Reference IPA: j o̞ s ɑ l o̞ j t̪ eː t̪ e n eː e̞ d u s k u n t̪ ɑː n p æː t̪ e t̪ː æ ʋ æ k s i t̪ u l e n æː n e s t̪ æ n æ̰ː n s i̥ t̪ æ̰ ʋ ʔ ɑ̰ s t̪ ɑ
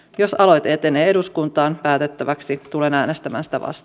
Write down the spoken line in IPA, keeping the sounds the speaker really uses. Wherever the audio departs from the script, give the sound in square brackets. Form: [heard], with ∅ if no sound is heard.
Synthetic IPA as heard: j o̞ s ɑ l o̞ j t̪ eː t̪ e n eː e̞ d u s k u n t̪ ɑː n p æː t̪ e t̪ː æ ʋ æ k s i t̪ u l e n æː n e s t̪ æ [m] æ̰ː n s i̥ t̪ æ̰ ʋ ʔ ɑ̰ s t̪ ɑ

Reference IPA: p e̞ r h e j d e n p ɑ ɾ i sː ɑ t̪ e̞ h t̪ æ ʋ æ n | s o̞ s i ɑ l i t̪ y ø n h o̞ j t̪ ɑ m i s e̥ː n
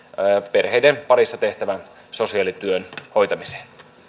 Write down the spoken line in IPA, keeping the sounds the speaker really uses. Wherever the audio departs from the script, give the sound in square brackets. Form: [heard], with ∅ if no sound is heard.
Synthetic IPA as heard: p e̞ r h e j d e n p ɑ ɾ i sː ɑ t̪ e̞ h t̪ æ ʋ æ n | s o̞ s i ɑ l i t̪ y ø n h o̞ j t̪ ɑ m i s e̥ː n

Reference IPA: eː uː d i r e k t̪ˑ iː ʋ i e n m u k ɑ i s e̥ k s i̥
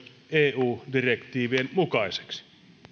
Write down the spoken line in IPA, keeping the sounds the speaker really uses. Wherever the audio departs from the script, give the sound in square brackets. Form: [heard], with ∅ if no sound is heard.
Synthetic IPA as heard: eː uː d i r e k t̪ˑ iː ʋ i e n m u k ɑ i s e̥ k s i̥

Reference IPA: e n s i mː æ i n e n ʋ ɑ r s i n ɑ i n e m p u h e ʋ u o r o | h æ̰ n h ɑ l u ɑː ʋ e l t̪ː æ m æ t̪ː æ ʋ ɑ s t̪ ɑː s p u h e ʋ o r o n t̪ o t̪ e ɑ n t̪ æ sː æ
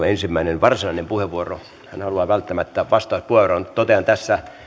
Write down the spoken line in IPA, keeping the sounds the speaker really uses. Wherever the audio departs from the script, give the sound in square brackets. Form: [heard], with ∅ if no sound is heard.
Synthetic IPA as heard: e n s i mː æ i n e n ʋ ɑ r s i n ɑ i n e m p u h e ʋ u o r o | h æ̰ n h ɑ l u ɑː ʋ [æ] l t̪ː æ m æ t̪ː æ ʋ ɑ s t̪ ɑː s p u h e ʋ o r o n t̪ o t̪ e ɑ n t̪ æ sː æ

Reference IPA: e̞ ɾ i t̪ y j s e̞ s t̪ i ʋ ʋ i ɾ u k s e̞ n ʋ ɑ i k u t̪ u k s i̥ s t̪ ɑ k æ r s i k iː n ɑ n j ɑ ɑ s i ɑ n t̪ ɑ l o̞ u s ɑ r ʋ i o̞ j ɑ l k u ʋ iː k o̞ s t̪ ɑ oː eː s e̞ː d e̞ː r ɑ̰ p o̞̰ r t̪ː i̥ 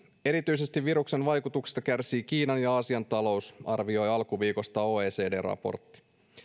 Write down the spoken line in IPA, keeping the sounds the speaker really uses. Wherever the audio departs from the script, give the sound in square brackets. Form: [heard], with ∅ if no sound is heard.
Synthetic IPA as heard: e̞ ɾ i t̪ y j s e̞ s t̪ i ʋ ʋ i ɾ u k s e̞ n ʋ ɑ [j] k u t̪ u k s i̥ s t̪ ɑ k æ r s [iː] k iː n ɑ n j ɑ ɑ s i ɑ n t̪ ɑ l o̞ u s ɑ r ʋ i o̞ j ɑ l k u ʋ iː k o̞ s t̪ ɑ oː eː s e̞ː d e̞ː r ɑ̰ p o̞̰ r t̪ː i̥

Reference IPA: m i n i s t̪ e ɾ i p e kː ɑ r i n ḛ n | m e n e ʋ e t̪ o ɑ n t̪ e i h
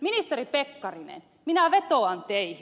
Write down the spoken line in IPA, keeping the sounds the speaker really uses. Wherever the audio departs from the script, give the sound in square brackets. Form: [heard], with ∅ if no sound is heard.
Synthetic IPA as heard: m i n i s t̪ e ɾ i p e kː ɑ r i n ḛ n | m [i] n [æ] ʋ e t̪ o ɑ n t̪ e i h

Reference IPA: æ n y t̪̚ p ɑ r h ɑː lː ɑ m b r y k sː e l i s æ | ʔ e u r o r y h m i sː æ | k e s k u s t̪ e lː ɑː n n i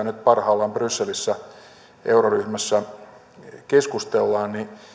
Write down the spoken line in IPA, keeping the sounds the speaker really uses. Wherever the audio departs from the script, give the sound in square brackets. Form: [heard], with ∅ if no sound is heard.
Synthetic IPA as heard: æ n y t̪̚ p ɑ r h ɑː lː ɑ m b r y [∅] sː e l i [sː] æ | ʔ e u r o r y h m [æ] sː æ | k e s k u s t̪ e lː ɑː n n i

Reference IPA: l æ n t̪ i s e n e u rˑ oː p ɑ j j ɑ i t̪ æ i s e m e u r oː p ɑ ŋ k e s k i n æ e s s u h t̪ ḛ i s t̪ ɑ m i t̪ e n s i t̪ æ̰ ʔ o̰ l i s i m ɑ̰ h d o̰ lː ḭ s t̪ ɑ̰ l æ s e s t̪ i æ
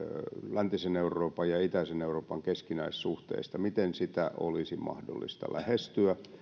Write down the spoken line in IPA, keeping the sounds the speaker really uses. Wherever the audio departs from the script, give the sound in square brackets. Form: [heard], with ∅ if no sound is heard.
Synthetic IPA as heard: l æ n t̪ i s e n e u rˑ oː p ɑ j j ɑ i t̪ æ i s e [n] e u r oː p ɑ ŋ k e s k i n æ [i] s s u h t̪ ḛ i s t̪ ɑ m i t̪ e n s i t̪ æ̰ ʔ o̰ l i s i m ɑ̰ h d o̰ lː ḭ s t̪ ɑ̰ l æ [h] e s t̪ [y] æ

